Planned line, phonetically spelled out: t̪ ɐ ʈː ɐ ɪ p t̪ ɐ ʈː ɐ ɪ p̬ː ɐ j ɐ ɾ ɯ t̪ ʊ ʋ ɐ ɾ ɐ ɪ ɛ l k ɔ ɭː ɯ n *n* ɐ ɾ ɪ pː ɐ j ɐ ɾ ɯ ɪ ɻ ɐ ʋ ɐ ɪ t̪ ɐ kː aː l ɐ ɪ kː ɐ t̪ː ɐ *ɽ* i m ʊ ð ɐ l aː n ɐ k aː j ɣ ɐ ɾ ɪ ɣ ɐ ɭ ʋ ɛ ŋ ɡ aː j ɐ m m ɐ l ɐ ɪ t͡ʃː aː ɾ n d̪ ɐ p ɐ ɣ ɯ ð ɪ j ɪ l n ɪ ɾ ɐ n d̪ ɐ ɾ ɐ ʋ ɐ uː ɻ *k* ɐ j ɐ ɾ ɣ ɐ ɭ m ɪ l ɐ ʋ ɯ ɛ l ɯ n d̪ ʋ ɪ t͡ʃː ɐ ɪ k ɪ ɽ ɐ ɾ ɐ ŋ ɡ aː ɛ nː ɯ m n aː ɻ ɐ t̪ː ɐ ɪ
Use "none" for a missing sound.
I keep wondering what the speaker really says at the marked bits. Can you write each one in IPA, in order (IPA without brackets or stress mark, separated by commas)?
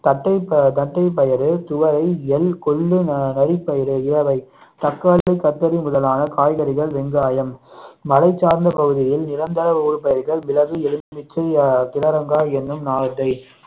n, ɾ, p